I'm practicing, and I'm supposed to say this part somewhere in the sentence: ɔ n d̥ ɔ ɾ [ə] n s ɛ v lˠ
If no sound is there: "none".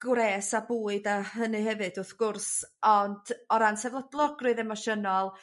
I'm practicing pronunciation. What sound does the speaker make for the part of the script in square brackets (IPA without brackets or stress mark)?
a